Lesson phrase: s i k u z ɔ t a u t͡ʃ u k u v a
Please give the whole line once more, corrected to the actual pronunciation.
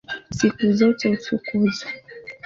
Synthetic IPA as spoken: s i k u z ɔ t ɛ u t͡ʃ u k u z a